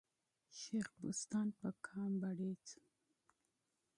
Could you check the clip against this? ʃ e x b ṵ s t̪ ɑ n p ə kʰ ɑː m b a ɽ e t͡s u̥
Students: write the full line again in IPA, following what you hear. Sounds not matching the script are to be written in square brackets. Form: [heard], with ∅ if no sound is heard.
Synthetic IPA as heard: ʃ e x b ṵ s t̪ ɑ n p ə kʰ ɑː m b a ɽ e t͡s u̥

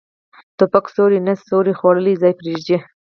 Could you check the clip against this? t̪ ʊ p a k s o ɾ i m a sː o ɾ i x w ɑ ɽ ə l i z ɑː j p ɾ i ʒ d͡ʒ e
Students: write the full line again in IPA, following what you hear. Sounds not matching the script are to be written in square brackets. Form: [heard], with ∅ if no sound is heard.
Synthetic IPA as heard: t̪ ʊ p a k s o ɾ i [n] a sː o ɾ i x w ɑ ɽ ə l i z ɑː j p ɾ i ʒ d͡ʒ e

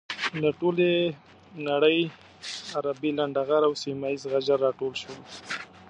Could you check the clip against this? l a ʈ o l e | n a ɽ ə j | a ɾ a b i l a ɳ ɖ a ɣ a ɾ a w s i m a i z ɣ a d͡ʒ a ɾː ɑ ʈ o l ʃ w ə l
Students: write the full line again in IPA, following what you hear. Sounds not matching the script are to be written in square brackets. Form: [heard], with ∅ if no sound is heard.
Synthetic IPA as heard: l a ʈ o l e | n a ɽ ə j | a ɾ a b i l a ɳ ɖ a ɣ a ɾ a w s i m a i z ɣ a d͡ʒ a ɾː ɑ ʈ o l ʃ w ə l

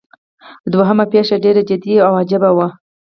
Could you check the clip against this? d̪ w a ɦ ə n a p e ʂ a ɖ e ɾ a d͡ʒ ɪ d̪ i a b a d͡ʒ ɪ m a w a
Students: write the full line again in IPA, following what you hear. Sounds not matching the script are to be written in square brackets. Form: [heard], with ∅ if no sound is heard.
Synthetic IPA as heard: d̪ w a ɦ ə [m] a p e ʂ a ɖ e ɾ a d͡ʒ ɪ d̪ i a [w] a d͡ʒ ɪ [b] a w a

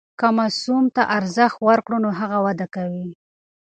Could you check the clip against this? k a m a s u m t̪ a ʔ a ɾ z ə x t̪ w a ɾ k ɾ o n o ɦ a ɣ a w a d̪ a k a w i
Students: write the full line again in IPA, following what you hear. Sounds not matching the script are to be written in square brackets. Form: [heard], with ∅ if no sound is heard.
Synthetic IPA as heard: k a m a s u m t̪ a ʔ a ɾ z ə x t̪ w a ɾ k [ɽ] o n o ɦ a ɣ a w a d̪ a k a w i

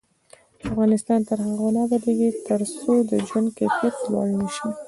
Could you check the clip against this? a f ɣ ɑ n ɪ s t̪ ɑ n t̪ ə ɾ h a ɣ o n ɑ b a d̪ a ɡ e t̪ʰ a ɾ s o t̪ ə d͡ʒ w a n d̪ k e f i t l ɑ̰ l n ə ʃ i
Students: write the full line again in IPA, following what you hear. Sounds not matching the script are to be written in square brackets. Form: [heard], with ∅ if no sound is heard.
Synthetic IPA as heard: a f ɣ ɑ n ɪ s t̪ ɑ n t̪ ə ɾ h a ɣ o n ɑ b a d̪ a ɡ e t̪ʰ [ə] ɾ s o [d̪] ə d͡ʒ w a n d̪ k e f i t l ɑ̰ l n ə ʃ i

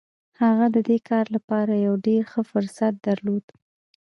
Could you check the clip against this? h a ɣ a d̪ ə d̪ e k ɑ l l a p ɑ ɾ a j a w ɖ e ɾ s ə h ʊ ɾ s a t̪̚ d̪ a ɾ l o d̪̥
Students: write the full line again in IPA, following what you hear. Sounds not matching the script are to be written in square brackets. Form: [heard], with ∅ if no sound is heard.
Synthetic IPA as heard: h a ɣ a d̪ ə d̪ e k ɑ [ɾ] l a p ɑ ɾ a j a w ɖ e ɾ [x] ə [f] ʊ ɾ s a t̪̚ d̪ a ɾ l o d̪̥

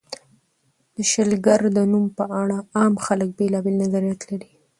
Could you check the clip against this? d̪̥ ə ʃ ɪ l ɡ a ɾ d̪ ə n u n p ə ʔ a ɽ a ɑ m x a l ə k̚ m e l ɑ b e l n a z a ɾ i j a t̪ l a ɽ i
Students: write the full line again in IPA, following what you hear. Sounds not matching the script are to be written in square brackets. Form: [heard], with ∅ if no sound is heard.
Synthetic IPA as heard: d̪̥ ə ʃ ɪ l ɡ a ɾ d̪ ə n u [m] p ə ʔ a ɽ a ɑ m x a l ə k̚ [b] e l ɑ b e l n a z a ɾ i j a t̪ l a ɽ i

